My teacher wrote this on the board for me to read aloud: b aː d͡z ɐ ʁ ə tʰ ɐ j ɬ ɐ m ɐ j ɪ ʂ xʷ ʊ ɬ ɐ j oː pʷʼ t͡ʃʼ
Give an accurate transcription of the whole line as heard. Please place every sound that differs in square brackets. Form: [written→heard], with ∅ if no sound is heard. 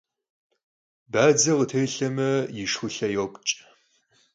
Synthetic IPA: b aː d͡z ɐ ʁ ə tʰ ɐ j ɬ ɐ m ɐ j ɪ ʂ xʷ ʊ ɬ ɐ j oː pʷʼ t͡ʃʼ